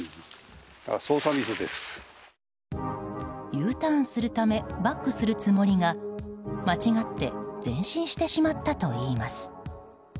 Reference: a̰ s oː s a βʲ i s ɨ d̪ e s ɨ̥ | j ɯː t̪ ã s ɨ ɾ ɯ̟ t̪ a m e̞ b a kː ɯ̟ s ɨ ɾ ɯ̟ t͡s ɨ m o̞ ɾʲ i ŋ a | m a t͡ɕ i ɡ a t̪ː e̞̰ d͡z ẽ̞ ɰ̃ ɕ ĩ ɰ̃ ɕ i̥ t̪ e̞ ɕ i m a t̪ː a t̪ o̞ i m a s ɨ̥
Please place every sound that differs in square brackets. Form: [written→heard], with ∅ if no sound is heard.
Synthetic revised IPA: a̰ s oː s a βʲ i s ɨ d̪ e s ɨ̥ | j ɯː t̪ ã s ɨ ɾ ɯ̟ t̪ a m e̞ b a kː ɯ̟ s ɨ ɾ ɯ̟ t͡s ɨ m o̞ ɾʲ i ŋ a | m a t͡ɕ i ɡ a t̪ː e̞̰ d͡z ẽ̞ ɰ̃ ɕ ĩ ɰ̃ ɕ i̥ t̪ e̞ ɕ i m a t̪ː a t̪ o̞ [i→iː] m a s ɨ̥